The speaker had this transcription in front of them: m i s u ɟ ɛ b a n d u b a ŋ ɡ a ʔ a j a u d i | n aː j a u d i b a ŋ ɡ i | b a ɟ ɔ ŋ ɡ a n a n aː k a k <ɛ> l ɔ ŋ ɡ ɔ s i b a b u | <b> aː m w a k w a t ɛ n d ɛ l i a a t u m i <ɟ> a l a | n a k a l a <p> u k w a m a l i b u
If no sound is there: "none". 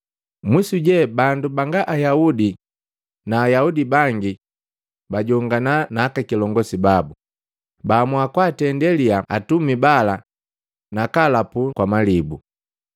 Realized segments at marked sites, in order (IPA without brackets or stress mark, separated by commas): i, b, b, p